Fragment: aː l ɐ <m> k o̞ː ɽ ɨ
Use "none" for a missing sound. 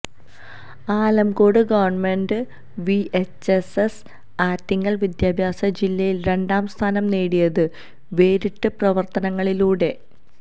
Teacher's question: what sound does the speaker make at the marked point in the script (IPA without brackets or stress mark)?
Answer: m